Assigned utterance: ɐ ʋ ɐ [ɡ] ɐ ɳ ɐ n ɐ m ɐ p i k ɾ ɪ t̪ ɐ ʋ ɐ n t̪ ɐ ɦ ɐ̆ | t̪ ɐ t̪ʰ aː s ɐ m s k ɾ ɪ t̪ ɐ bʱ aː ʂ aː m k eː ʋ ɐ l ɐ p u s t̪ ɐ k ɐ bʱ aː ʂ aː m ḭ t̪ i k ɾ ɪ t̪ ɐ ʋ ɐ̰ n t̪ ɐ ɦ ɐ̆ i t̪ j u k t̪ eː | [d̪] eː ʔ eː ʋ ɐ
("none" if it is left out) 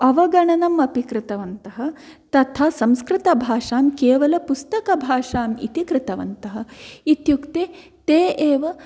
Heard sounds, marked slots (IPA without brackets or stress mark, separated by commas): ɡ, t̪